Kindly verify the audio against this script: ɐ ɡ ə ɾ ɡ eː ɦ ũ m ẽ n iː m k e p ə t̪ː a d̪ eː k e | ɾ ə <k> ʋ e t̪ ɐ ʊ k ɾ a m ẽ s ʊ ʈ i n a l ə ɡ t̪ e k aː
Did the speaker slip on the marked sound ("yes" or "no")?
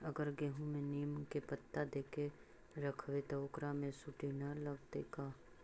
yes